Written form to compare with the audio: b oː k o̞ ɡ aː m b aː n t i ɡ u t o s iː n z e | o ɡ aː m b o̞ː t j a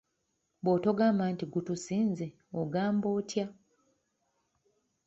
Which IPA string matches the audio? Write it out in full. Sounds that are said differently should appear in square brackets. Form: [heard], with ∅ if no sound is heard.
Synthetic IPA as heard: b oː [t] o̞ ɡ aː m b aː n t i ɡ u t [u] s iː n z e | o ɡ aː m b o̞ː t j a